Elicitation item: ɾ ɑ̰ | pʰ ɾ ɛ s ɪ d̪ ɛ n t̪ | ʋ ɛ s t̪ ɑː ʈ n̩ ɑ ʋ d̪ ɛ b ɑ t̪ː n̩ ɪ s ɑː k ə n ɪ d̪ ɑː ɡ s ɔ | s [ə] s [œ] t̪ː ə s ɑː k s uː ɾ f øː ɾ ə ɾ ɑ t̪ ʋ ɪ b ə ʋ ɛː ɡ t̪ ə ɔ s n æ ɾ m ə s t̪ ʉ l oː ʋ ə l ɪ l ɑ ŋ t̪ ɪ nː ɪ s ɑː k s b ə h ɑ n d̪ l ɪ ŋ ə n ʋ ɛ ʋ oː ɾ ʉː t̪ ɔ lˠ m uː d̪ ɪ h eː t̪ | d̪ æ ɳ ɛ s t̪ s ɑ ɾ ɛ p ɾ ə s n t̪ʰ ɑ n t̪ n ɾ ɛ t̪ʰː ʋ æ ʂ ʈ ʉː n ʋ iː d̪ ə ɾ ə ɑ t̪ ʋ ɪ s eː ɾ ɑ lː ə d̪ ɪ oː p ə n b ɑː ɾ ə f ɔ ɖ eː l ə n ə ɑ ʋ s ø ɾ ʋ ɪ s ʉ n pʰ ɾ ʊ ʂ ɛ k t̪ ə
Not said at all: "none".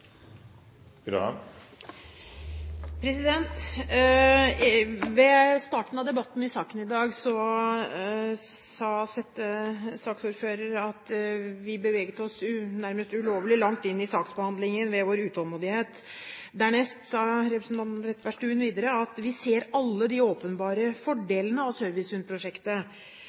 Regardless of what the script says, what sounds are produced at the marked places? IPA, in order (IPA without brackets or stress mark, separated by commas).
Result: ɑ, ɛ